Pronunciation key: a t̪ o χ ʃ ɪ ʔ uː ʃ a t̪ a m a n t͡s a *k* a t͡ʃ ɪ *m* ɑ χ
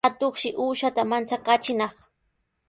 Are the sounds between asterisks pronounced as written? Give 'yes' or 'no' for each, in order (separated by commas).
yes, no